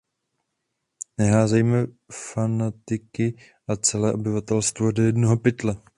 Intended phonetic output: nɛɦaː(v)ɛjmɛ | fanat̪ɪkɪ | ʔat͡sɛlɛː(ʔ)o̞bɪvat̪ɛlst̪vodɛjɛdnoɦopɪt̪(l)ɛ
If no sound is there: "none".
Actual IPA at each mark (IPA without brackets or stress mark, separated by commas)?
z, ʔ, l